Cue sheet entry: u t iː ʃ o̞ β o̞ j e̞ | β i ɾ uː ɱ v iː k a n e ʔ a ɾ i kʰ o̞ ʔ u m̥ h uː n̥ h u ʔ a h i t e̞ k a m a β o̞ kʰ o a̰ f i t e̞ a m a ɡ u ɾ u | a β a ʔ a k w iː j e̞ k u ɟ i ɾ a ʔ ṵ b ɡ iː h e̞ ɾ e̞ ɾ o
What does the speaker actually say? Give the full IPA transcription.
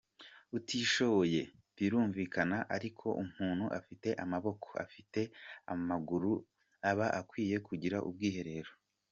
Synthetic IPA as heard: u t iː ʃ o̞ β o̞ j e̞ | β i ɾ uː ɱ v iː k a n a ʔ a ɾ i kʰ o̞ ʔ u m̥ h uː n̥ h u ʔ a f i t e̞ ʔ a m a β o̞ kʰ o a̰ f i t e̞ a m a ɡ u ɾ u | a β a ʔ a k w iː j e̞ k u ɟ i ɾ a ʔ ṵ b ɡ iː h e̞ ɾ e̞ ɾ o